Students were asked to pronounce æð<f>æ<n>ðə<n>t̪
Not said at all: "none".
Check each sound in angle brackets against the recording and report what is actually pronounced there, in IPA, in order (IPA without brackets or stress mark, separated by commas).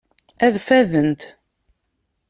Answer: f, none, n